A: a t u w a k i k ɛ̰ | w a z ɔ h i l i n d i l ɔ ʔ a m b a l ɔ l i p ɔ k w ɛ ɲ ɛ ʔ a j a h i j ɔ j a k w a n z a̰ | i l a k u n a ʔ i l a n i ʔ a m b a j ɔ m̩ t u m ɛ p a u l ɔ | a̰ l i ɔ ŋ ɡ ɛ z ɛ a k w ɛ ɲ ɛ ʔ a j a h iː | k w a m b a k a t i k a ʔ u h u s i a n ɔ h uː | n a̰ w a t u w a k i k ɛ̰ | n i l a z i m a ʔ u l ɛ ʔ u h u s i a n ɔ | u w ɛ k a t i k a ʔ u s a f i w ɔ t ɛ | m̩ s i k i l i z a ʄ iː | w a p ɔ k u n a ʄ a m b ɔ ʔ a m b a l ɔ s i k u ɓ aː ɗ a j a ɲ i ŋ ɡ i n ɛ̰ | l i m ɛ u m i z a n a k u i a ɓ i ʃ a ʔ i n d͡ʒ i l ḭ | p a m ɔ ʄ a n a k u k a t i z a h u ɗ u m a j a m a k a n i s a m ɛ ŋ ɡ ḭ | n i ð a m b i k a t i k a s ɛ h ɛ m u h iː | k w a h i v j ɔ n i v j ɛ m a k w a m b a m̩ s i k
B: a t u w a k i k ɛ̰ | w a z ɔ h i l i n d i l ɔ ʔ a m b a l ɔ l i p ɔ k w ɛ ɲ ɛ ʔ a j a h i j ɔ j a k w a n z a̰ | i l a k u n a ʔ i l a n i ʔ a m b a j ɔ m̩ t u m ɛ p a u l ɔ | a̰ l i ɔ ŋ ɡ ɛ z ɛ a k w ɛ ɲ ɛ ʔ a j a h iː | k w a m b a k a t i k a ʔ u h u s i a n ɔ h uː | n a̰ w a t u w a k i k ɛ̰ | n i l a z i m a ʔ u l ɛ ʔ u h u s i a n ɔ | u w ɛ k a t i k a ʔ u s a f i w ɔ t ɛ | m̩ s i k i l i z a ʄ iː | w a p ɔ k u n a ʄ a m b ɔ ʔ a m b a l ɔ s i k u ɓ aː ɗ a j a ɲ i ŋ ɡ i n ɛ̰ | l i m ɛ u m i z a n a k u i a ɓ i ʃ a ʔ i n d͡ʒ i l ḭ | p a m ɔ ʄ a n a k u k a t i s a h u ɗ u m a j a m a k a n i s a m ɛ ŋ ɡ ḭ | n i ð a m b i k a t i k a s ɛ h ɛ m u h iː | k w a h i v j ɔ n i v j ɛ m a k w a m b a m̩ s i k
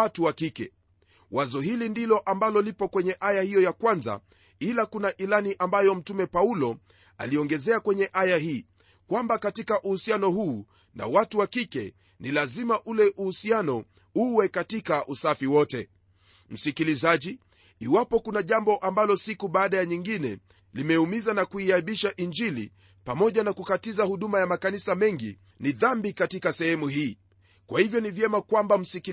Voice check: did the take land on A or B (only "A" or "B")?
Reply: A